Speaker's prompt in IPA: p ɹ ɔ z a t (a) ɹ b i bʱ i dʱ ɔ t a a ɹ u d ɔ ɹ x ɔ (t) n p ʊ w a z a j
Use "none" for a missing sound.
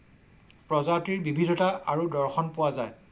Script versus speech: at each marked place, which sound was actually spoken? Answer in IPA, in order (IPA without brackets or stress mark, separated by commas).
i, none